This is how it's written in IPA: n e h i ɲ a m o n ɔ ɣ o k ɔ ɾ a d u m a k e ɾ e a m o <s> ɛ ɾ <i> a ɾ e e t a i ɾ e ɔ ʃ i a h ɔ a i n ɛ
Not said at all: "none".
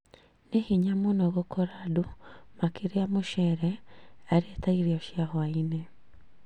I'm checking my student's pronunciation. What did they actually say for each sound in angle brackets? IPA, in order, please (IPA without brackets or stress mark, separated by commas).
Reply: ʃ, ɛ